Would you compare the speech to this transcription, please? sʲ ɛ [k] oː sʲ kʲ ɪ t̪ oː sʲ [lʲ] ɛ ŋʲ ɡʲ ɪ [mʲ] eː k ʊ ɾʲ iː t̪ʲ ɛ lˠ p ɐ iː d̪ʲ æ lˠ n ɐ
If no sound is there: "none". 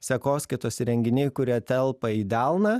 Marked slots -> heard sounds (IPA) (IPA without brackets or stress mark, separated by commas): k, ɾʲ, nʲ